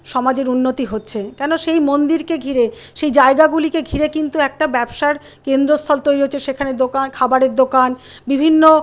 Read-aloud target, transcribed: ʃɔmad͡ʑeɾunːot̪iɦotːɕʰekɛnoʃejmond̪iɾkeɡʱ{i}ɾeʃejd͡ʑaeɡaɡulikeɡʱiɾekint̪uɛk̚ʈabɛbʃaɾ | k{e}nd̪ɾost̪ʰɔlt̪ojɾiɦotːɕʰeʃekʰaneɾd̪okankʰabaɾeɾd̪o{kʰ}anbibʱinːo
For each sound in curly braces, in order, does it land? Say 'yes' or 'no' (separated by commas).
yes, yes, no